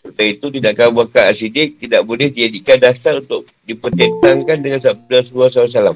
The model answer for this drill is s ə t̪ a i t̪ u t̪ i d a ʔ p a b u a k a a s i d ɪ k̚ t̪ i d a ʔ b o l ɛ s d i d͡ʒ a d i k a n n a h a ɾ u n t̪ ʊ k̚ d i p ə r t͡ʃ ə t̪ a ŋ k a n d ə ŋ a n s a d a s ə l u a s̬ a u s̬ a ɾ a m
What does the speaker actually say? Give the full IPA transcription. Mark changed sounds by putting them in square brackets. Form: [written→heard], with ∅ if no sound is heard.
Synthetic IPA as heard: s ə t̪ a i t̪ u t̪ i d a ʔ [p→k] a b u a k a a s i d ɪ k̚ t̪ i d a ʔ b o l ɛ [s→h] d i d͡ʒ a d i k a n [n→d] a [h→s] a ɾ u n t̪ ʊ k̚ d i p ə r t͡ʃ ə t̪ a ŋ k a n d ə ŋ a n s a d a s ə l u a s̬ a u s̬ a [ɾ→l] a m